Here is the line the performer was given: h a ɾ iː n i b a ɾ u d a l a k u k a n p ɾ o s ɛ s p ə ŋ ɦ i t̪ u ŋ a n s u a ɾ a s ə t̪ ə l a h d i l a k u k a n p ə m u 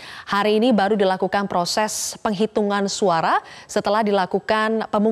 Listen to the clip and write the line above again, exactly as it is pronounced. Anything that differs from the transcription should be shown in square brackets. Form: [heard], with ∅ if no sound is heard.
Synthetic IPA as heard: h a ɾ iː n i b a ɾ u d [i] l a k u k a n p ɾ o s ɛ s p ə ŋ ɦ i t̪ u ŋ a n s u a ɾ a s ə t̪ ə l a h d i l a k u k a n p ə m u